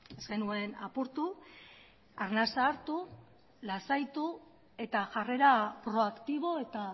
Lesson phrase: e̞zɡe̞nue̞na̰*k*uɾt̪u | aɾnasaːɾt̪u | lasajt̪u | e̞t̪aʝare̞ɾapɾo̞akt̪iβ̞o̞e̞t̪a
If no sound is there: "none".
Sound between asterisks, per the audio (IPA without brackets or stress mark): p